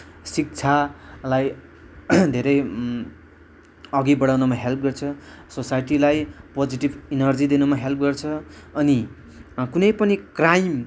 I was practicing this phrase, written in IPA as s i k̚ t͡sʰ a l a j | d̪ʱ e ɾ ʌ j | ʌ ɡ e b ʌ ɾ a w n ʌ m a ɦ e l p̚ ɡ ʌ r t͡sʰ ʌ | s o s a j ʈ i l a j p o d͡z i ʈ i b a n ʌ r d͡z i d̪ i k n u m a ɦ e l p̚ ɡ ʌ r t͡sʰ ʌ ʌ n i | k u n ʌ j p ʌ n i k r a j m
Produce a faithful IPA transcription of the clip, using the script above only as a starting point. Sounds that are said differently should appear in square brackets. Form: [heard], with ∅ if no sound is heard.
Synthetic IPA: s i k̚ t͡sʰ a l a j | d̪ʱ e ɾ ʌ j | ʌ ɡ [i] b ʌ [ɽ] a w n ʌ m a ɦ e l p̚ ɡ ʌ r t͡sʰ ʌ | s o s a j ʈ i l a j p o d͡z i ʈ i b [i] n ʌ r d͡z i d̪ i [∅] n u m a ɦ e l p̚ ɡ ʌ r t͡sʰ ʌ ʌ n i | k u n ʌ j p ʌ n i k r a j m